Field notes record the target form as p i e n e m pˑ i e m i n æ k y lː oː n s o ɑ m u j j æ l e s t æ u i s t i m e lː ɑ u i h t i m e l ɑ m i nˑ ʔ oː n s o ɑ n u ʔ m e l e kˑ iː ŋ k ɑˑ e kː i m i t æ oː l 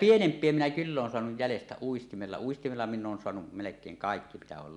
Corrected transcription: p i e n e m pˑ i e m i n æ k y lː oː n s o ɑ n u j j æ l e s t æ u i s t i m e lː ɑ u i s t i m e lː ɑ m i nˑ ʔ oː n s o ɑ n u ʔ m e l e kˑ eː ŋ k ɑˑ e kː i m i t æ oː l